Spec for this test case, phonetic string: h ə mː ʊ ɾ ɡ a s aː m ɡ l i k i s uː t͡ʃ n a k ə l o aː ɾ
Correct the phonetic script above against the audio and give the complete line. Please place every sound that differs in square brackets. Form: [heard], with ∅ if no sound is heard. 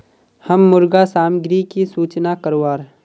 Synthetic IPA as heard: h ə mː ʊ ɾ ɡ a s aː m ɡ [ɾ] i k i s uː t͡ʃ n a k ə [ɾ] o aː ɾ